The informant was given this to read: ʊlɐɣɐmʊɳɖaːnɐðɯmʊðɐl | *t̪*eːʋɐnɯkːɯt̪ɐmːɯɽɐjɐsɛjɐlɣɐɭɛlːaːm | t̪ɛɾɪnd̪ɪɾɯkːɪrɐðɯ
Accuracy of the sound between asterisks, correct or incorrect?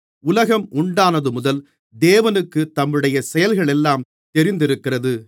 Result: incorrect